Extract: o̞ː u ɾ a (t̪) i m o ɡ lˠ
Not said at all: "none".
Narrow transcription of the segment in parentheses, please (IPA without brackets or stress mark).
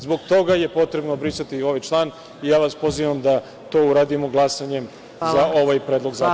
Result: d̪